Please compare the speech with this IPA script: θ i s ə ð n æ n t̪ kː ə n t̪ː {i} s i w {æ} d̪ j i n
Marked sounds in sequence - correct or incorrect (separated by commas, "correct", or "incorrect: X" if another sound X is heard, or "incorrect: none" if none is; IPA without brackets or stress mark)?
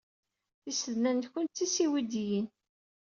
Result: correct, incorrect: i